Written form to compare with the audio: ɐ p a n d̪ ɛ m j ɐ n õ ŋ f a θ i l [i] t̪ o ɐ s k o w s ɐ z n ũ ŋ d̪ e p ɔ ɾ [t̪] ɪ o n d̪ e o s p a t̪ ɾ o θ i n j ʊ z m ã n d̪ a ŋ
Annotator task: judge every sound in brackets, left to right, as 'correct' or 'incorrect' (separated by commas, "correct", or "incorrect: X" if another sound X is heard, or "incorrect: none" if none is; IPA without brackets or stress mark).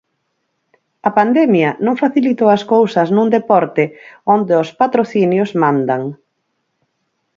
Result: correct, correct